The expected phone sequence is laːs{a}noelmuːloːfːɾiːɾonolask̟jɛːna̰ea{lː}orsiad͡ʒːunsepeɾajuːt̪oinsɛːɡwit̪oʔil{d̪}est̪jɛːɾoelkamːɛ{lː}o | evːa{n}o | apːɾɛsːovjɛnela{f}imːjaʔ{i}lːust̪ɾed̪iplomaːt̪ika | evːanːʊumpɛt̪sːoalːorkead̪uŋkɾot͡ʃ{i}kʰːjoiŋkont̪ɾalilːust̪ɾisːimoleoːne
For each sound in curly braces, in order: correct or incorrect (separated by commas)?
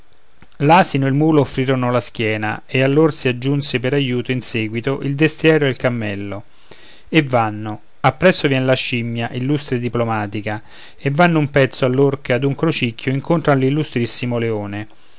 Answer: incorrect, correct, correct, correct, incorrect, incorrect, correct, correct